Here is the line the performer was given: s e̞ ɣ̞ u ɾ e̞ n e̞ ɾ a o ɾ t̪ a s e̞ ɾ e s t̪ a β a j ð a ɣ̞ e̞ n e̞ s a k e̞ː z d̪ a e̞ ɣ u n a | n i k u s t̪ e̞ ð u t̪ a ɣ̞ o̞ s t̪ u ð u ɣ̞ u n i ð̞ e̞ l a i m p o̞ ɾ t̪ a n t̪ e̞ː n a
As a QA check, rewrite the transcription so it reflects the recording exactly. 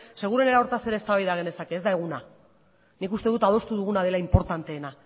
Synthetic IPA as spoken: s e̞ ɣ̞ u ɾ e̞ n e̞ ɾ a o ɾ t̪ a s e̞ ɾ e s t̪ a β a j ð a ɣ̞ e̞ n e̞ s a k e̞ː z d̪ a e̞ ɣ u n a | n i k u s t̪ e̞ ð u t̪ a ð̞ o̞ s t̪ u ð u ɣ̞ u n a ð̞ e̞ l a i m p o̞ ɾ t̪ a n t̪ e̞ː n a